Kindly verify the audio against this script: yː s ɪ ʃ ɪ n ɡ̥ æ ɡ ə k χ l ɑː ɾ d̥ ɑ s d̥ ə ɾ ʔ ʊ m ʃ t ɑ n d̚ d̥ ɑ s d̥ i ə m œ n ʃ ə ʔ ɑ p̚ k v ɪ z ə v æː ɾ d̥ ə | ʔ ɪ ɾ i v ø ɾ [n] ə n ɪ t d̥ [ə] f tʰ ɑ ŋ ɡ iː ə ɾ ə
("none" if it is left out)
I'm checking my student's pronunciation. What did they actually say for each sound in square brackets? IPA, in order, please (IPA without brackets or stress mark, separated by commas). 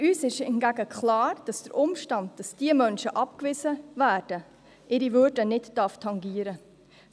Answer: d, ɑ